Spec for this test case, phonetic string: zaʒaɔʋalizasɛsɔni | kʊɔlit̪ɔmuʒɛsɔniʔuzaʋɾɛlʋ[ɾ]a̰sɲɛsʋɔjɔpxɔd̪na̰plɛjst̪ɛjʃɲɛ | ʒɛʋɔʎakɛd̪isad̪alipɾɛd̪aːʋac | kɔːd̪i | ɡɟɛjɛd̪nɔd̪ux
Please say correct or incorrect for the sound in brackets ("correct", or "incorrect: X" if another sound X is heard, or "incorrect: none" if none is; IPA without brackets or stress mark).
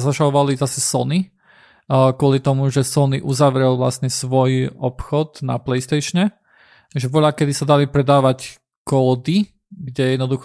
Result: incorrect: l